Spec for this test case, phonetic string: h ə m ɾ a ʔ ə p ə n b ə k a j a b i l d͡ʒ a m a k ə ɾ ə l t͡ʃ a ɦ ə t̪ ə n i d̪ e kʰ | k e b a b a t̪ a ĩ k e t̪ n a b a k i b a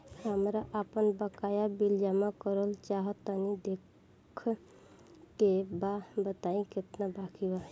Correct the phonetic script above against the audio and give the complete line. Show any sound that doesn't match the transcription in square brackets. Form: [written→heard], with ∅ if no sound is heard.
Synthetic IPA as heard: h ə m ɾ a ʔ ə p ə n b ə k a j a b i l d͡ʒ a m a k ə ɾ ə l t͡ʃ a ɦ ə t̪ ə n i d̪ e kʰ | k e b a b [a→ə] t̪ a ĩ k e t̪ n a b a k i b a